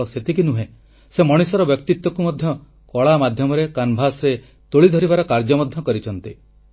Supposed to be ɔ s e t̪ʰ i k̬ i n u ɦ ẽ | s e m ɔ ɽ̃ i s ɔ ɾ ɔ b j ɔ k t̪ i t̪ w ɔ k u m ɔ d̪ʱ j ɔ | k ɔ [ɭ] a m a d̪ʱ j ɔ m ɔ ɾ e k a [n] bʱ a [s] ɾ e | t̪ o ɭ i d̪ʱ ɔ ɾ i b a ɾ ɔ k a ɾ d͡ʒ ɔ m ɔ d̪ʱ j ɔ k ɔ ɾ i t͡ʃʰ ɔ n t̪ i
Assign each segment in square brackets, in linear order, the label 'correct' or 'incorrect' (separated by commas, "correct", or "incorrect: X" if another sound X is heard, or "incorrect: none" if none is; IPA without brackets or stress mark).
correct, correct, correct